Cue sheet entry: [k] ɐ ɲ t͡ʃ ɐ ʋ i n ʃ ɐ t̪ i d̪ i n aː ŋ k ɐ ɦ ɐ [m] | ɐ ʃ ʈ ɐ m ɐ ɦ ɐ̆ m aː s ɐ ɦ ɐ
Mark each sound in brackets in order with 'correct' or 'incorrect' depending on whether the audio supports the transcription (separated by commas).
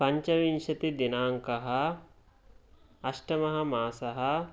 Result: incorrect, incorrect